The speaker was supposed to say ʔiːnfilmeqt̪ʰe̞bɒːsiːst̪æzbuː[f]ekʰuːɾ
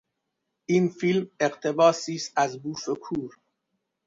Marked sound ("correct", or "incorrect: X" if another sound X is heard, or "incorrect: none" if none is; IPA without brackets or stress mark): correct